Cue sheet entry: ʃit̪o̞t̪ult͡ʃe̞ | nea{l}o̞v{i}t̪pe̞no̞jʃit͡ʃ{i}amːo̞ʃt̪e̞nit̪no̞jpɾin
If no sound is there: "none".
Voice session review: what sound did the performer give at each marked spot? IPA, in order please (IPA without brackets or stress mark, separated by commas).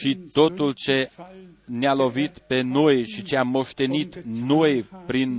l, i, e